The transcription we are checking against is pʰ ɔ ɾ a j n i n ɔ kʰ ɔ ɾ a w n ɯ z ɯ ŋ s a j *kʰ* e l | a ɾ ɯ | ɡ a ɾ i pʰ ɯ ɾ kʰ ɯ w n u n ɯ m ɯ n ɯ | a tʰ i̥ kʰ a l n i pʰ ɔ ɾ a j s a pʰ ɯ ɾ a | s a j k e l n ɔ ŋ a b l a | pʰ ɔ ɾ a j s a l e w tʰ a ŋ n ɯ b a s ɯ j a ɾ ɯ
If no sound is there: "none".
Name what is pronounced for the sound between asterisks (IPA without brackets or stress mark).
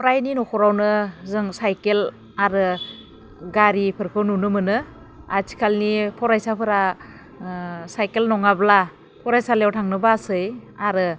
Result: k